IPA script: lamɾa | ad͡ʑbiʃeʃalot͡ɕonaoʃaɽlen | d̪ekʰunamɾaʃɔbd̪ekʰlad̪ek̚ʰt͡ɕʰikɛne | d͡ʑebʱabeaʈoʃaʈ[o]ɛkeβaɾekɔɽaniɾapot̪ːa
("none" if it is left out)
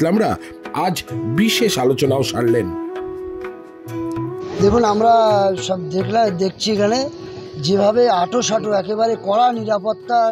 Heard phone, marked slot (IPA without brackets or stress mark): o